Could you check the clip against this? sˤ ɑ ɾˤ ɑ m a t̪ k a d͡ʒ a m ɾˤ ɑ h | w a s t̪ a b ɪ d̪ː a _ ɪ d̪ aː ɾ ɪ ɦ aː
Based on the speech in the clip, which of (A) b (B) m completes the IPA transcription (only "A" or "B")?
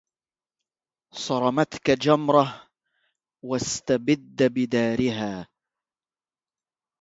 A